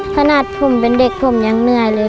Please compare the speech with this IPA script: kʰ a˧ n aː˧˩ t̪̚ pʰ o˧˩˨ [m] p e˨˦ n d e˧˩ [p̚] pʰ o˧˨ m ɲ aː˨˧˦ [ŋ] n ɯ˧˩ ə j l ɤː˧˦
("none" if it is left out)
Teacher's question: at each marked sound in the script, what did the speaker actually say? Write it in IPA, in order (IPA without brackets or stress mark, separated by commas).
m, k̚, ŋ